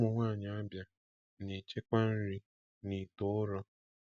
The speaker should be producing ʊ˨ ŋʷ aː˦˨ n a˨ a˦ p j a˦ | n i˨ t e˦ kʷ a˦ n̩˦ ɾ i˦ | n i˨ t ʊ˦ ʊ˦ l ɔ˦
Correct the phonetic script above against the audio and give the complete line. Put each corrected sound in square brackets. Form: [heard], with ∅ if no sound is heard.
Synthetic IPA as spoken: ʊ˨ ŋʷ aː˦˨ [ɲ] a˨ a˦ [b] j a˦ | n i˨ [t͡ʃ] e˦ kʷ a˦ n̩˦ ɾ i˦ | n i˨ t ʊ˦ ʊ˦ [ɾ] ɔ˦